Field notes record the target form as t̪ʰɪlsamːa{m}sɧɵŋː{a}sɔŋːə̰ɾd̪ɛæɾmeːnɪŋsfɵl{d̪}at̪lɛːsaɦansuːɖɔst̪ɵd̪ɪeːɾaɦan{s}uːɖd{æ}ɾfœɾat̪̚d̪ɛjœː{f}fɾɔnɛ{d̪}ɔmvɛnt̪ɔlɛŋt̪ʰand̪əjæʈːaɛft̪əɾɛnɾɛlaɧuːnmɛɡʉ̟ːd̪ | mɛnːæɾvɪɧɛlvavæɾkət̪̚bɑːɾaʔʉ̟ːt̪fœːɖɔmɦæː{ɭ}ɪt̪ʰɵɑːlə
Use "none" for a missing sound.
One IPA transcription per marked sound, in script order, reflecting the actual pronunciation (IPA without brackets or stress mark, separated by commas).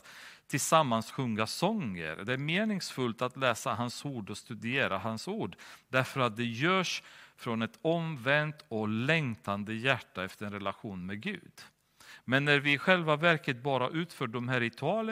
n, a, t̪, s, æ, ʂ, t̪, ɾ